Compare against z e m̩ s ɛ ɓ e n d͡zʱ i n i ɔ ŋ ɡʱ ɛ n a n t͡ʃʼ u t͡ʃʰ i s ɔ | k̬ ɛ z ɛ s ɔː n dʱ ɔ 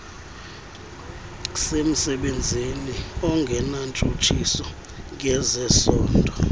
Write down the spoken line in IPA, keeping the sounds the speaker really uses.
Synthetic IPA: s e m̩ s ɛ ɓ e n d͡zʱ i n i ɔ ŋ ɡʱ ɛ n a n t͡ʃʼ u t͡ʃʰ i s ɔ | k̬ ɛ z ɛ s ɔː n dʱ ɔ